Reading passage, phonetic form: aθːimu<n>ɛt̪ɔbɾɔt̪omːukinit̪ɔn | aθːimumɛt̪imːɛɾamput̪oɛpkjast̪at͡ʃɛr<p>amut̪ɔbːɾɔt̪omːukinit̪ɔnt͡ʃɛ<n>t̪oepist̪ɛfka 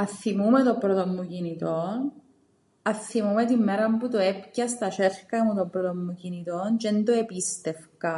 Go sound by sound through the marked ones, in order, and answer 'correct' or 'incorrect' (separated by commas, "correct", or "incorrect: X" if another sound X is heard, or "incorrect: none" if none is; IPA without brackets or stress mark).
incorrect: m, incorrect: k, correct